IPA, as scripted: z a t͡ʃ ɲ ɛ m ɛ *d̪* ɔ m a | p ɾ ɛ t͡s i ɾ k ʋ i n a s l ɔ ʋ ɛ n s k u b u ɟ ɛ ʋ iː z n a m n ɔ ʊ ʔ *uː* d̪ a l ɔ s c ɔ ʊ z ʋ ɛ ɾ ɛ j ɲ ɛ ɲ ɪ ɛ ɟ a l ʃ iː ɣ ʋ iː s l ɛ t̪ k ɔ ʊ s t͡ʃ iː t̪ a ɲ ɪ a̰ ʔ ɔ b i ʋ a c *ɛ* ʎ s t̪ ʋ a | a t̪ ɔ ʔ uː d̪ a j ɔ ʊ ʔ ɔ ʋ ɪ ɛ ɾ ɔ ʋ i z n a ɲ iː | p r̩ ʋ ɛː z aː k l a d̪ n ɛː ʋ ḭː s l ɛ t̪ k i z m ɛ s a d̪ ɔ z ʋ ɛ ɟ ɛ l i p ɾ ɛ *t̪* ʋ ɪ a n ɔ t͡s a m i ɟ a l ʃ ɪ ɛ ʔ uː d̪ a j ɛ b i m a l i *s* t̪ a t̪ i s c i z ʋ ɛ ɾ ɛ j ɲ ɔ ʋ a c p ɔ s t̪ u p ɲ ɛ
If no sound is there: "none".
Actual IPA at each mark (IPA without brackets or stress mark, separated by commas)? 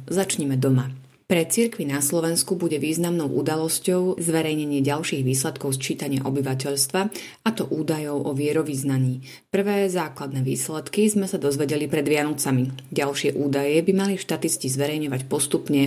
d̪, u, ɛ, d̪, ʃ